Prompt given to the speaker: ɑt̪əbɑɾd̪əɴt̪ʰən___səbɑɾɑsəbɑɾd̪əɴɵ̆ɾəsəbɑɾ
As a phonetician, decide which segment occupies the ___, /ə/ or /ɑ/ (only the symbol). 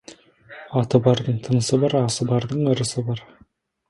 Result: ə